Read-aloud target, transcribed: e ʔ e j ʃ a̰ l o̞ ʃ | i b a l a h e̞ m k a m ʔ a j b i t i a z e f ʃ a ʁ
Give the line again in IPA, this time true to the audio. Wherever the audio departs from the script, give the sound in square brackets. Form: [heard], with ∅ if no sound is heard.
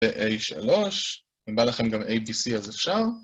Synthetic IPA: e ʔ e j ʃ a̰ l o̞ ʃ | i b a l a [χ] e̞ m [ɡ] a m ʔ [e] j b i [s] i a z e f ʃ a ʁ